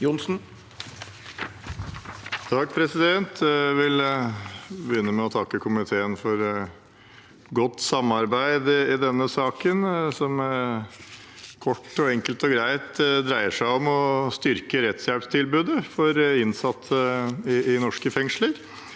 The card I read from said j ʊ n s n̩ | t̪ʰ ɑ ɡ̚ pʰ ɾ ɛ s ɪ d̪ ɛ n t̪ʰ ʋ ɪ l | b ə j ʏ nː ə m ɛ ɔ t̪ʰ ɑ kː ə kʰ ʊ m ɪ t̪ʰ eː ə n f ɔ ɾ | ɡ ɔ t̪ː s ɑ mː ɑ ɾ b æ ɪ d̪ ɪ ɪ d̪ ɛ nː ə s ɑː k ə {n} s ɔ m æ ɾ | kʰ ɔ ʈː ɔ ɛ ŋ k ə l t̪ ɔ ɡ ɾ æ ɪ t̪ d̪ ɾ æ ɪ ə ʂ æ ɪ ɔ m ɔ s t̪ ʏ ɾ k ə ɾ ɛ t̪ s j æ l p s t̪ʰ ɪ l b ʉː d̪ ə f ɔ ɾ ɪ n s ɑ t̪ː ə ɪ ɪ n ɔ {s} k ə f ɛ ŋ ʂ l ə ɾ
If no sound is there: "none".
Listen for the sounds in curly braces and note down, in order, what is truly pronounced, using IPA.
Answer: n, ʂ

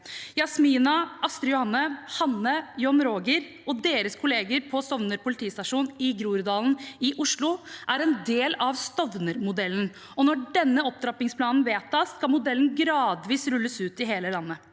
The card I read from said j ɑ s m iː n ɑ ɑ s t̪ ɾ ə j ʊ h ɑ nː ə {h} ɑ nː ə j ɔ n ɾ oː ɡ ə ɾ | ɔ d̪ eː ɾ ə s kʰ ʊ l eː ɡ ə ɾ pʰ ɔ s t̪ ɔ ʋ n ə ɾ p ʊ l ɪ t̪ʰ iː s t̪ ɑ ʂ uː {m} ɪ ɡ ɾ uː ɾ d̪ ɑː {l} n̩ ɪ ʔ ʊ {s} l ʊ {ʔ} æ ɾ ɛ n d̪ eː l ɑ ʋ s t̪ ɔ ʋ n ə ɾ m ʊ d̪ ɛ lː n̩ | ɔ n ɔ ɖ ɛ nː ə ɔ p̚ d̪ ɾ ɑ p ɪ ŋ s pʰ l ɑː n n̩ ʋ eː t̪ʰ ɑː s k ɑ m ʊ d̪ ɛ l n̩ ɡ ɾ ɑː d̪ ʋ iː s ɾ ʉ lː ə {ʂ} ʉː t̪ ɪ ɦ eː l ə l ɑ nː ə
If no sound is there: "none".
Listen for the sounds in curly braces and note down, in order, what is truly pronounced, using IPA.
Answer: h, n, l, ʂ, ʔ, s

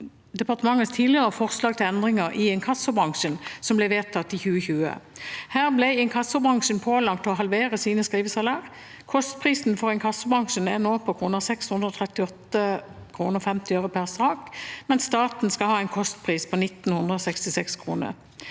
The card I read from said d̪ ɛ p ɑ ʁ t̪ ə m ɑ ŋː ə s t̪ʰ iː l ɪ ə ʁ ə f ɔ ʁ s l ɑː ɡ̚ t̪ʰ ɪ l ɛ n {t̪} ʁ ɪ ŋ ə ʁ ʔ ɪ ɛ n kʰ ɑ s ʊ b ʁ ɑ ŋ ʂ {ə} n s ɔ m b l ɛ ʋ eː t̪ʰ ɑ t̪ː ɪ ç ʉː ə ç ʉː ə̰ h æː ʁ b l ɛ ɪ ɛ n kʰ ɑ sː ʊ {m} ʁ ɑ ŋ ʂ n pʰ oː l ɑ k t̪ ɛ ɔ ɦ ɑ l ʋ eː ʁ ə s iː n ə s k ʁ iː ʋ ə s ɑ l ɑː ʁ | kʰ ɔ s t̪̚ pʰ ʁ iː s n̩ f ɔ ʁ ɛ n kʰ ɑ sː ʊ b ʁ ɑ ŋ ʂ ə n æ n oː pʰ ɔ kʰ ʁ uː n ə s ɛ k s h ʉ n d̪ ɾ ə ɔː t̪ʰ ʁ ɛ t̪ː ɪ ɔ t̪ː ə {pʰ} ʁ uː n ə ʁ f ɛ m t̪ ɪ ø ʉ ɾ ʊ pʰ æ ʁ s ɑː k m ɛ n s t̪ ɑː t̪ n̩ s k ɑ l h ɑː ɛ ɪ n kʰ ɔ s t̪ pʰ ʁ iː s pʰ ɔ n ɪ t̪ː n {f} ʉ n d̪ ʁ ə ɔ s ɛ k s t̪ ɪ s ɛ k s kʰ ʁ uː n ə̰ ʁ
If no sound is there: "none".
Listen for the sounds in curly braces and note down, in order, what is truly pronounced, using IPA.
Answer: d̪, ə, b, kʰ, h

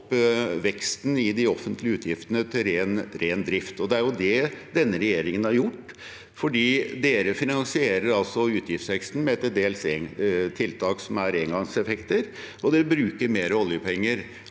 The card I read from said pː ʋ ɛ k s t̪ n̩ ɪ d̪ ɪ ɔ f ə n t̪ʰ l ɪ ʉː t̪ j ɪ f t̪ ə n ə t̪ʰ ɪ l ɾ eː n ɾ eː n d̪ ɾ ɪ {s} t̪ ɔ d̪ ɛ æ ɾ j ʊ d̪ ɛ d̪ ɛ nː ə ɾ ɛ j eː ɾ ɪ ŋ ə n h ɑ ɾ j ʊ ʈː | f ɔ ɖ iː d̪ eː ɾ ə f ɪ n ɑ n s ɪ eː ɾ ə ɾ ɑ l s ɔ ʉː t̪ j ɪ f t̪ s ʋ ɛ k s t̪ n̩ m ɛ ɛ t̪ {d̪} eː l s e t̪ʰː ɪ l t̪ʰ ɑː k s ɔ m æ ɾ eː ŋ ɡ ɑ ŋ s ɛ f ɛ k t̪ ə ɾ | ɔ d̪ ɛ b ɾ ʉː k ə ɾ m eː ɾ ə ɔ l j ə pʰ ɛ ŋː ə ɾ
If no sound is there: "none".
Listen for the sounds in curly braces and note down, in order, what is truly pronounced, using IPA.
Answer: f, d̪

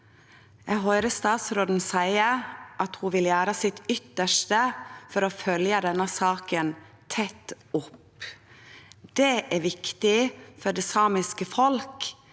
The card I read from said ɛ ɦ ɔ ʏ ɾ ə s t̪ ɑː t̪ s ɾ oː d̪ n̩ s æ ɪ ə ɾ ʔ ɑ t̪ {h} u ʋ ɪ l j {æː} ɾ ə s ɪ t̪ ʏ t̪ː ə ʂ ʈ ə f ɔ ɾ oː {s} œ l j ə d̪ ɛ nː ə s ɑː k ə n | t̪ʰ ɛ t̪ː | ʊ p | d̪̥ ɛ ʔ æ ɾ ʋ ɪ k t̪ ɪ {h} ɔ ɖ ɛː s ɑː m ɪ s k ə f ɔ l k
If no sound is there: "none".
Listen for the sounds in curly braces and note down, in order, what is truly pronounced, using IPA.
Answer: h, æː, f, f

